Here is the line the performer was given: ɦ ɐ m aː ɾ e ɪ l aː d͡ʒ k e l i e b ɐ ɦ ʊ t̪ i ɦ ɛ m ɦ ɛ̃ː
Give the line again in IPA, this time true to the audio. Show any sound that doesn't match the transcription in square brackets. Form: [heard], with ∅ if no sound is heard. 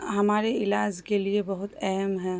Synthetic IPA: ɦ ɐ m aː ɾ e ɪ l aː d͡ʒ k e l i e b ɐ ɦ ʊ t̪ [ɛ] ɦ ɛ m ɦ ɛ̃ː

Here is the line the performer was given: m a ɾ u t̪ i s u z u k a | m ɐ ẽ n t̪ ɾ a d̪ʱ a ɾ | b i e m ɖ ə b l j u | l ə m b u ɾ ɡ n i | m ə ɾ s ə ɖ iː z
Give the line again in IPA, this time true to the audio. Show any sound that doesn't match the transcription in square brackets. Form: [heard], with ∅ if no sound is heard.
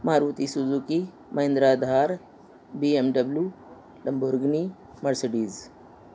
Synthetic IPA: m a ɾ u t̪ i s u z u k [i] | m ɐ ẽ n [d̪] ɾ a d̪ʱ a ɾ | b i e m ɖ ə b l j u | l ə m b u ɾ ɡ n i | m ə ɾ s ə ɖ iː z

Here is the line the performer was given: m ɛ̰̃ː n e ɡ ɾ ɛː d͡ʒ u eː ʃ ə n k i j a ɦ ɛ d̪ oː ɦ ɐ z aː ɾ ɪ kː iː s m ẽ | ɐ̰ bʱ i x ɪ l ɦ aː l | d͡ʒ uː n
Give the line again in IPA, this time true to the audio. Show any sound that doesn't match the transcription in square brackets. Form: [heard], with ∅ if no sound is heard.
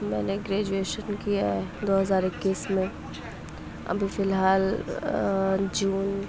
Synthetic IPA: m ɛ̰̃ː n e ɡ ɾ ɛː d͡ʒ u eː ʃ ə n k i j a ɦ ɛ d̪ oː ɦ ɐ z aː ɾ ɪ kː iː s m ẽ | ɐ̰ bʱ i [f] ɪ l ɦ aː l | d͡ʒ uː n

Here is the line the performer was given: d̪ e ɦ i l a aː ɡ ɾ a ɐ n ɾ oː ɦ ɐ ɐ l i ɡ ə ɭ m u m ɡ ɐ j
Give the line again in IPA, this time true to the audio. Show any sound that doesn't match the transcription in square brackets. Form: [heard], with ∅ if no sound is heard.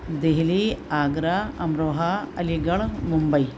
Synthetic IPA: d̪ e ɦ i l [i] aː ɡ ɾ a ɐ [m] ɾ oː ɦ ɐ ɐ l i ɡ [ɐ] ɭ m u m [b] ɐ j

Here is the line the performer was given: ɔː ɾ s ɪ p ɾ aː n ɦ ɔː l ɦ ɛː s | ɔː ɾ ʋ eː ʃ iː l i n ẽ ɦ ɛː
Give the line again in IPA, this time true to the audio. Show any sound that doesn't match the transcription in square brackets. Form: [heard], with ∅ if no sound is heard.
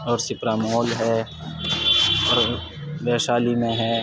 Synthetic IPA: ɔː ɾ s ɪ p ɾ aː [m] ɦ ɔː l ɦ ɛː [∅] | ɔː ɾ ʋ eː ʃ [aː] l i [m] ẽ ɦ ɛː

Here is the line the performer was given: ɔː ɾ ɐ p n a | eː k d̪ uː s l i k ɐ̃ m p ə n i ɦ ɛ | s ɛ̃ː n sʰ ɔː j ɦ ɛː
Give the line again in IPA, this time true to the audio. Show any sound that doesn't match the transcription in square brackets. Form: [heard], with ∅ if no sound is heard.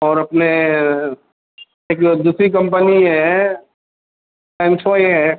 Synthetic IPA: ɔː ɾ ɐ p n [e] | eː k d̪ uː s [ɾ] i k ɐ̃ m p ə n i ɦ ɛ | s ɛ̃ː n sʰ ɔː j ɦ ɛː

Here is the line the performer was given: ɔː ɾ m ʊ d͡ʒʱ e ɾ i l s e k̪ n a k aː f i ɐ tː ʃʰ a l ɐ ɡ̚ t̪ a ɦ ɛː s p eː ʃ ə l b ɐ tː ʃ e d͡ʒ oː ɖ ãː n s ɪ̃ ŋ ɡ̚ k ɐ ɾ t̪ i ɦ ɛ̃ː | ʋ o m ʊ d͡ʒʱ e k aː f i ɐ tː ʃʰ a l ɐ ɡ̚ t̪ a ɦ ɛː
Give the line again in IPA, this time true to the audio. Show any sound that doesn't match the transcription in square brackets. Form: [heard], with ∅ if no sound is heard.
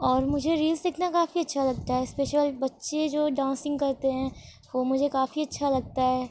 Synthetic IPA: ɔː ɾ m ʊ d͡ʒʱ e ɾ [iː] l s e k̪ n a k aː f i ɐ tː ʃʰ a l ɐ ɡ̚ t̪ a ɦ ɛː s p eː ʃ ə l b ɐ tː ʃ e d͡ʒ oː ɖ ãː n s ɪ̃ ŋ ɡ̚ k ɐ ɾ t̪ [e] ɦ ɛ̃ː | ʋ o m ʊ d͡ʒʱ e k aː f i ɐ tː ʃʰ a l ɐ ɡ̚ t̪ a ɦ ɛː

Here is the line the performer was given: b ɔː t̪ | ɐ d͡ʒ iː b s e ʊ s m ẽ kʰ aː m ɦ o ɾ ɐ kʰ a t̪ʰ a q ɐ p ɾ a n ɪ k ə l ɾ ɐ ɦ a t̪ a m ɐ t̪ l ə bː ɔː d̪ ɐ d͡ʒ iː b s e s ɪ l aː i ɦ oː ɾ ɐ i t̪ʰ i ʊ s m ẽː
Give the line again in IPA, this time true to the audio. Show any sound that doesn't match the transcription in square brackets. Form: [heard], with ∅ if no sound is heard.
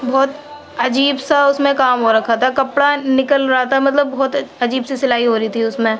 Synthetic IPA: b ɔː t̪ | ɐ d͡ʒ iː b s [a] ʊ s m ẽ [k] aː m ɦ o ɾ ɐ kʰ a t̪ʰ a [k] ɐ p [ɽ] a n ɪ k ə l ɾ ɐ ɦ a t̪ a m ɐ t̪ l ə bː ɔː [t̪] ɐ d͡ʒ iː b s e s ɪ l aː i ɦ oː ɾ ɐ i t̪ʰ i ʊ s m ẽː

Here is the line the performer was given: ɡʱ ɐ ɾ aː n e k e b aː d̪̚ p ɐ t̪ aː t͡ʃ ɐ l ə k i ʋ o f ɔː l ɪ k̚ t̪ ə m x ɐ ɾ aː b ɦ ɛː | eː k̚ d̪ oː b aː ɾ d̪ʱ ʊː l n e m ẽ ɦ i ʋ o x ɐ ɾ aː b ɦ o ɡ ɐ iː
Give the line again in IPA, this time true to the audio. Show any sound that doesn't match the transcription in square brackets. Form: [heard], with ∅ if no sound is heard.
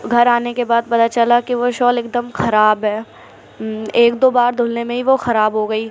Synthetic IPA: ɡʱ ɐ ɾ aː n e k e b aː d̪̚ p ɐ t̪ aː t͡ʃ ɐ l [a] k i ʋ o [ʃ] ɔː l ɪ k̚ [d̪] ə m x ɐ ɾ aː b ɦ ɛː | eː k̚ d̪ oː b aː ɾ d̪ʱ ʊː l n e m ẽ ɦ i ʋ o x ɐ ɾ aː b ɦ o ɡ ɐ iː

